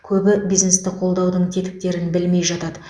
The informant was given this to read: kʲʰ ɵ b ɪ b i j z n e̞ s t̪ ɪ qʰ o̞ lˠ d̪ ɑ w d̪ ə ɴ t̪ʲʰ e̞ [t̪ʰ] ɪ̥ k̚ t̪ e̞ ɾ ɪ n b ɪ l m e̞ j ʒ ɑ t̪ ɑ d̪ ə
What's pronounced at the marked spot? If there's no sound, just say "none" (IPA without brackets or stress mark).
t̪